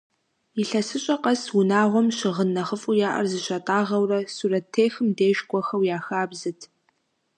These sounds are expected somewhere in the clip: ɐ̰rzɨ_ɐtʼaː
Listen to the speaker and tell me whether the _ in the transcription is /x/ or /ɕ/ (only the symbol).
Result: ɕ